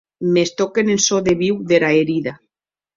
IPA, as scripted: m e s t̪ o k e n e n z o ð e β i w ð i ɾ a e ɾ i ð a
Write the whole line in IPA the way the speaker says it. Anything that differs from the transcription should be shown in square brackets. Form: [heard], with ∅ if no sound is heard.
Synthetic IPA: m e s t̪ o k e n e n [s] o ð e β i w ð [e] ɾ a e ɾ i ð a